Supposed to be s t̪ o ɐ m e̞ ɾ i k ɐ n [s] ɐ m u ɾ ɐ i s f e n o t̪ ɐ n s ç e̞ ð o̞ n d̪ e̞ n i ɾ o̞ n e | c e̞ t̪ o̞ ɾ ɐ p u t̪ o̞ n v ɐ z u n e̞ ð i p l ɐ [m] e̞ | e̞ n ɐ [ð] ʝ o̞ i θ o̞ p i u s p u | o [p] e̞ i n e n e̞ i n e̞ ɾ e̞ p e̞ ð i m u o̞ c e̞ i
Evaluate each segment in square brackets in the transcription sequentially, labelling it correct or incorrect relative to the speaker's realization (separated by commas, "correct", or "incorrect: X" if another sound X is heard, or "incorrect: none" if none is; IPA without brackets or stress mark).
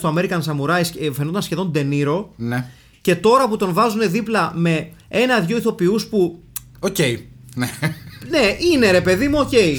correct, correct, correct, incorrect: c